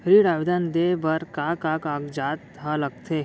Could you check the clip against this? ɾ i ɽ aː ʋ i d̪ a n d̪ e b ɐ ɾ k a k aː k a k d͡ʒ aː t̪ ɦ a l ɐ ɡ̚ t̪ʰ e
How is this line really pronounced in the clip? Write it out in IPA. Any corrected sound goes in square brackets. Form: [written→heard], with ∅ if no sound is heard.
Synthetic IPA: ɾ i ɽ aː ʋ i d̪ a n d̪ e b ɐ ɾ k a k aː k a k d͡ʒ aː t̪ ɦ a l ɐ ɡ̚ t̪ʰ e